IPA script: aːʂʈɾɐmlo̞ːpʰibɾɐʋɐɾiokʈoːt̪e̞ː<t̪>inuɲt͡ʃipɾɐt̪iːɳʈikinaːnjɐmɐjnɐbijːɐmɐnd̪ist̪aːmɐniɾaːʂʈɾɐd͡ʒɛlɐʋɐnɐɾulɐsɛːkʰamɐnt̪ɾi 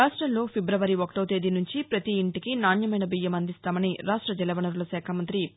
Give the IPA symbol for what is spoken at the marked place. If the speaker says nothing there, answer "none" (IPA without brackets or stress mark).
d̪